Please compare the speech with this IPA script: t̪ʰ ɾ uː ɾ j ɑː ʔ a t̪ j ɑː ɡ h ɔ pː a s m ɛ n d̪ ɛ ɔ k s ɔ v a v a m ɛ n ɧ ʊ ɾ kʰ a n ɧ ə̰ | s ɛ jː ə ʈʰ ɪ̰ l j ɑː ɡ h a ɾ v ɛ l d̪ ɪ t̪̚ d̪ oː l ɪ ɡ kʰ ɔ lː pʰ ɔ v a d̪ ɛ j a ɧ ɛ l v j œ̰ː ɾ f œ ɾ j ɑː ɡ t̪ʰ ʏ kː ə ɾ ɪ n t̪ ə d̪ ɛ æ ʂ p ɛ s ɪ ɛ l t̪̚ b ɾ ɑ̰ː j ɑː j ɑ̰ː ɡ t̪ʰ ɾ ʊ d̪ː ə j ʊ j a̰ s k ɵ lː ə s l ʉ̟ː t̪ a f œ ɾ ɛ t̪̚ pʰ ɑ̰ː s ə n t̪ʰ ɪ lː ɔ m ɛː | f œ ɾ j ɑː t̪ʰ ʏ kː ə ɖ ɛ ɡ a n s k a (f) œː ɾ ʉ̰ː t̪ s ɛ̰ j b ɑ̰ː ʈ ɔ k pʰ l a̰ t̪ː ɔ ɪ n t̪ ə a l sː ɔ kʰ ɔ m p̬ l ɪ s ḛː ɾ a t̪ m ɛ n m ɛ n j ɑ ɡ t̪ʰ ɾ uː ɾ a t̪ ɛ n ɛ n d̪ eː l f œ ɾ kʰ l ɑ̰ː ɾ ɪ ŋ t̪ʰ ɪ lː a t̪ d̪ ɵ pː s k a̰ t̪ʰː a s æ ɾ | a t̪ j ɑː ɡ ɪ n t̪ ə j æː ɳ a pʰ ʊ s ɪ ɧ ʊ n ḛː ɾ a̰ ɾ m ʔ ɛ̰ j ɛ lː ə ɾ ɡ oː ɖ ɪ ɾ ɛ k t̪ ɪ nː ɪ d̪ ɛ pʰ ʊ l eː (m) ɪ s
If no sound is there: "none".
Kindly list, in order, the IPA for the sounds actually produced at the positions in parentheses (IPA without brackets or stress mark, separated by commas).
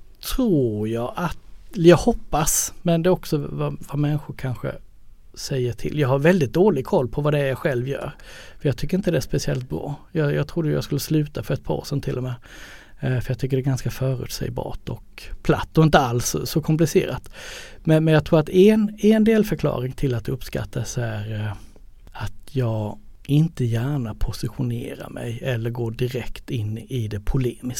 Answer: f, m